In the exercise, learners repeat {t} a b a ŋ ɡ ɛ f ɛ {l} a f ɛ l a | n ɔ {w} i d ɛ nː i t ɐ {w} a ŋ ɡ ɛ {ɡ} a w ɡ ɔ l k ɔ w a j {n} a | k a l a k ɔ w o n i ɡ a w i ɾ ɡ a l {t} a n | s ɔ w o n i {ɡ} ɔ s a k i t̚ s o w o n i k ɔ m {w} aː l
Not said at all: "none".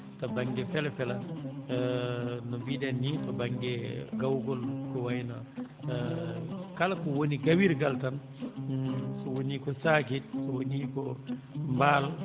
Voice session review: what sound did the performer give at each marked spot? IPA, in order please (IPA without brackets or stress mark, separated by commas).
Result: t, l, b, b, ɡ, n, t, k, b